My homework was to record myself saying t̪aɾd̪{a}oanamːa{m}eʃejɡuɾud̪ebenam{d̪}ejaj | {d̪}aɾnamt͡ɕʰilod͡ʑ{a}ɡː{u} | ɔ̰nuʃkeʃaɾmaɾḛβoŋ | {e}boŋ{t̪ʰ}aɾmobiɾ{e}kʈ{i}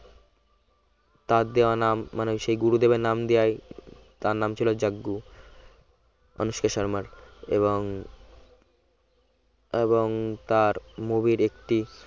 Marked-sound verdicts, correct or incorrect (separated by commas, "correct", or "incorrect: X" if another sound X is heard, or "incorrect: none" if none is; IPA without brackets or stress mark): incorrect: e, incorrect: n, correct, incorrect: t̪, correct, correct, correct, incorrect: t̪, correct, correct